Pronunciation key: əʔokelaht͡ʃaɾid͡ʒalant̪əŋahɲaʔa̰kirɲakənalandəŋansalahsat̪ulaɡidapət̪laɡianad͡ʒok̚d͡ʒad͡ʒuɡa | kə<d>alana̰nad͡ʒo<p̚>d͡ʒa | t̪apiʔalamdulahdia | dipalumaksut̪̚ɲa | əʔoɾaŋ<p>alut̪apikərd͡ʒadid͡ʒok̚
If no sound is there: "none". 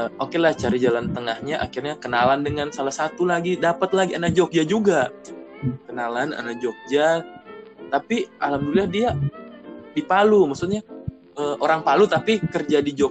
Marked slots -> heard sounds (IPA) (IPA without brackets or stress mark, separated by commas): n, k̚, p